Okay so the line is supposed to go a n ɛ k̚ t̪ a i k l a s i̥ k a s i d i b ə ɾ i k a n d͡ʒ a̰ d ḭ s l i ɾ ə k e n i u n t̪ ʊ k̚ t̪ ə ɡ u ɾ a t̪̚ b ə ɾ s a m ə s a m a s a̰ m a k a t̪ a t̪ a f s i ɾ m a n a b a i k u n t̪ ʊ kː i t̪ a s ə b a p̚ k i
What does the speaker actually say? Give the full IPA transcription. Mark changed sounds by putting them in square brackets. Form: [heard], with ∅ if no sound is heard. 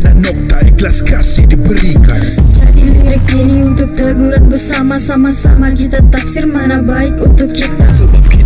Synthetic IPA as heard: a n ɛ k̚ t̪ a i k l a s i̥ k a s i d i b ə ɾ i k a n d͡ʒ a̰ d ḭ [∅] l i ɾ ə k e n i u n t̪ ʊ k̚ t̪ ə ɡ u ɾ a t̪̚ b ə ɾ s a m [a] s a m a s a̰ m a k [i] t̪ a t̪ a f s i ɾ m a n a b a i k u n t̪ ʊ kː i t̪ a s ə b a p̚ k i